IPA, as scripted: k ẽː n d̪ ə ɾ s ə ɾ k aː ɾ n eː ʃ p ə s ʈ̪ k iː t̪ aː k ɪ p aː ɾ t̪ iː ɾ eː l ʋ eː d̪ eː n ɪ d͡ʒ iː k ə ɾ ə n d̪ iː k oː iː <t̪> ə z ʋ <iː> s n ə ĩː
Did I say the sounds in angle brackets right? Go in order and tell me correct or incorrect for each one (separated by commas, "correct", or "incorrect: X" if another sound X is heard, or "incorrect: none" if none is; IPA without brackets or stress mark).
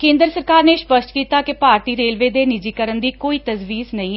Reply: correct, correct